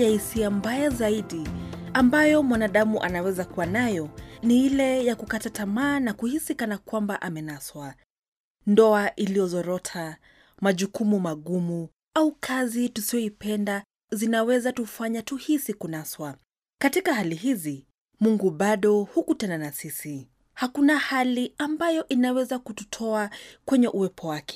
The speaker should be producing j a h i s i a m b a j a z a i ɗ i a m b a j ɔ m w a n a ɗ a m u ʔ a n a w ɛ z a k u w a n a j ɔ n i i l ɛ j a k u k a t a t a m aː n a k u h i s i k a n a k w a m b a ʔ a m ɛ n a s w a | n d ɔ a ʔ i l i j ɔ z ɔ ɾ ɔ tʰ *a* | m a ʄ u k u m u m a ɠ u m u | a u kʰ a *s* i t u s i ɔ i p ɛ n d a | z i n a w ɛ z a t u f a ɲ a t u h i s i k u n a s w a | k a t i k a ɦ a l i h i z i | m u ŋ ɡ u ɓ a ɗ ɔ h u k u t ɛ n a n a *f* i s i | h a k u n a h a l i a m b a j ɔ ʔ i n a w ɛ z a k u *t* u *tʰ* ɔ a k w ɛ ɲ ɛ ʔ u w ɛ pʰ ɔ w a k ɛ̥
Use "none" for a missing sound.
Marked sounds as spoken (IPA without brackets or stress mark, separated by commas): a, z, s, t, tʰ